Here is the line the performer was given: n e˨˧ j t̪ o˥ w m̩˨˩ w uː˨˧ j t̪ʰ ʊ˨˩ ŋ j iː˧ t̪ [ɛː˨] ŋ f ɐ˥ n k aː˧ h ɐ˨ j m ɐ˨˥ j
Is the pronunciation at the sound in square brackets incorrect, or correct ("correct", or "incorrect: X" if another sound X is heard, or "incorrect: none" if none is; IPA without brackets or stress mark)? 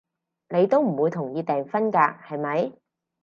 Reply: correct